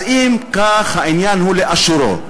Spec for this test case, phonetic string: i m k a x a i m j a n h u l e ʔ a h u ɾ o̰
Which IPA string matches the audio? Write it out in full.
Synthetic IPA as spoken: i m k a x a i n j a n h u l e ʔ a ʃ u ɾ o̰